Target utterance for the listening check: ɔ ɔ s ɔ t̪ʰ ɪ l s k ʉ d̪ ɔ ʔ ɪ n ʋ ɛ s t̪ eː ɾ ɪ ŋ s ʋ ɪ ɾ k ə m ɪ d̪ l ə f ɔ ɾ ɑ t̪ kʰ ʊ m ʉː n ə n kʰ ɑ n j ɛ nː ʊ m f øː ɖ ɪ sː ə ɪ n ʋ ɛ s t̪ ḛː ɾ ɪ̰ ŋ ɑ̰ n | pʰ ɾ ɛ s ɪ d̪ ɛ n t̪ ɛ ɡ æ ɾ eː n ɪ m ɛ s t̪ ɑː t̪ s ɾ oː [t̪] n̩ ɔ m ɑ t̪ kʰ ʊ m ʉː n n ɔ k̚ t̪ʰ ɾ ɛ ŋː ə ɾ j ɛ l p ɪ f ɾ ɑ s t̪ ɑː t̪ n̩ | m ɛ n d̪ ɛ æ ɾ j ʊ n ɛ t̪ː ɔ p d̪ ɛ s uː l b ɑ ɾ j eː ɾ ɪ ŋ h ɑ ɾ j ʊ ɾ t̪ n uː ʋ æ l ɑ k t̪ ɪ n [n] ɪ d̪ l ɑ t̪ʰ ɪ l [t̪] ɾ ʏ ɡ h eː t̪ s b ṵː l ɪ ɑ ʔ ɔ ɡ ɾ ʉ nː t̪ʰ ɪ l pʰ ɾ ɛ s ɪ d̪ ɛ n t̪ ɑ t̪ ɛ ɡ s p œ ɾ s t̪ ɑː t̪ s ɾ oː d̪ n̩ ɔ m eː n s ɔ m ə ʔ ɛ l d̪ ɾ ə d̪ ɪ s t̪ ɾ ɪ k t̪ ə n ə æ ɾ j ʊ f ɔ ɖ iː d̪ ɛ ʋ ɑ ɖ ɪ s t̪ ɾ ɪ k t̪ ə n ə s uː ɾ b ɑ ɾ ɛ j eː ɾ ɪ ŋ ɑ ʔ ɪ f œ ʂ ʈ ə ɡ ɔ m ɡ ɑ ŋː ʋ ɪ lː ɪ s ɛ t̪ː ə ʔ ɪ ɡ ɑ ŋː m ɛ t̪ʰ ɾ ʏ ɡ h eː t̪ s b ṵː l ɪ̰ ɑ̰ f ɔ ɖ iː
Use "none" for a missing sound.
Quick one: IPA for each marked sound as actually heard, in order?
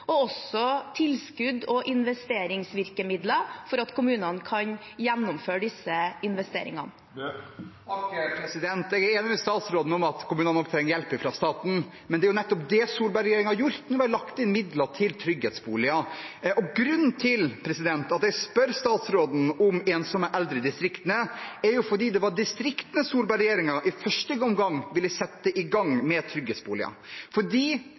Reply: d̪, m, t̪ʰ

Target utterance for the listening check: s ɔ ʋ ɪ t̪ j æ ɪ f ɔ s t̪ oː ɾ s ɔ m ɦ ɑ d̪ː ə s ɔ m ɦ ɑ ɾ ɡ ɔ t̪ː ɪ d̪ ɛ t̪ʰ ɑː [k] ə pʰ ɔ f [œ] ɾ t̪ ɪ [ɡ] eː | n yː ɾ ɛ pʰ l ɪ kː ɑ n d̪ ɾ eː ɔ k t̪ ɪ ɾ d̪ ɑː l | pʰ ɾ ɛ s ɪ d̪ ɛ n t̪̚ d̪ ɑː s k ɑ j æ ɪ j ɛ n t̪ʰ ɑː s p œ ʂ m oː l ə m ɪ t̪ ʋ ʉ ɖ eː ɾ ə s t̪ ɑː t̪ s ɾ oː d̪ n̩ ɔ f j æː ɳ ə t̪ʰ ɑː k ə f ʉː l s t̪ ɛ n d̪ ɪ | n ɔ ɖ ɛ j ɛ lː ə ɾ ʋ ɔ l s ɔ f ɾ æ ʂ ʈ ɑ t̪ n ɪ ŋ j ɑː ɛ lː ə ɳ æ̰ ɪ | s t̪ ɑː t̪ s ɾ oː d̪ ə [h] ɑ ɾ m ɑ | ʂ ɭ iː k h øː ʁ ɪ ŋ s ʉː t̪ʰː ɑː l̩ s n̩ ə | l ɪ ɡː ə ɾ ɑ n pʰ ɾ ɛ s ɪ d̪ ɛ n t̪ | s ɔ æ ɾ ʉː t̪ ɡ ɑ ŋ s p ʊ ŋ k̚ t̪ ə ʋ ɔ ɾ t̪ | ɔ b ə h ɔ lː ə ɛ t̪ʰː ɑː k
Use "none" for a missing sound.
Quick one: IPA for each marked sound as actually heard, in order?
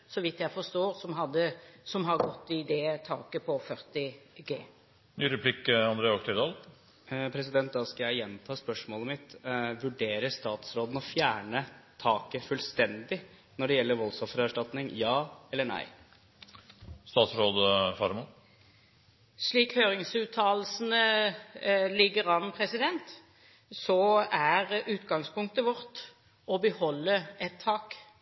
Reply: k, œ, ɡ, f

